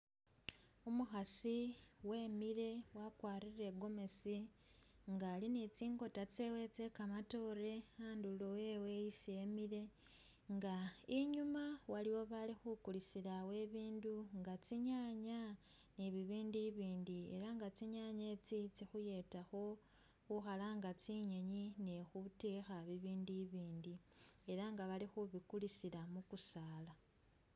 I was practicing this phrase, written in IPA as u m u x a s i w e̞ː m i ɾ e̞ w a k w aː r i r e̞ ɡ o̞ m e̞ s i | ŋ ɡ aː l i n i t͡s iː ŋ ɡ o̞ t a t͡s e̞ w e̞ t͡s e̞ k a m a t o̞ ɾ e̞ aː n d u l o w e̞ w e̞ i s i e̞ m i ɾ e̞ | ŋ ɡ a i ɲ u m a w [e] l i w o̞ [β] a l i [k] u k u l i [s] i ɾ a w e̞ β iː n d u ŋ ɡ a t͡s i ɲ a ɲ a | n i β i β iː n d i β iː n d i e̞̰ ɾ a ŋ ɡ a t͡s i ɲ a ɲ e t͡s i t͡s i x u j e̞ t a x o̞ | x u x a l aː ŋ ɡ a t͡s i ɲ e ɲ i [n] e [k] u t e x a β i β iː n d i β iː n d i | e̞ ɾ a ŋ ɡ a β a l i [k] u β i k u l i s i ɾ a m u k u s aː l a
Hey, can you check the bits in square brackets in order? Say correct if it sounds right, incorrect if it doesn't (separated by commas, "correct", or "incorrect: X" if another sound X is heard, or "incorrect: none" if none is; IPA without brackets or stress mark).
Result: incorrect: a, correct, incorrect: x, correct, correct, incorrect: x, incorrect: x